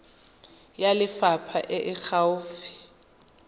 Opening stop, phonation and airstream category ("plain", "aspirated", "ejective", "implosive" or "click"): aspirated